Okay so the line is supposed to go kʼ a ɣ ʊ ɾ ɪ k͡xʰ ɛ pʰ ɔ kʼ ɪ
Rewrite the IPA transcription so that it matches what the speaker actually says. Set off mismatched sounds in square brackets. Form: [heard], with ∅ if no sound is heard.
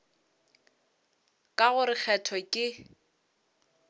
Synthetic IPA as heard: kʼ a ɣ ʊ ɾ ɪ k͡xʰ ɛ [tʰ] ɔ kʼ ɪ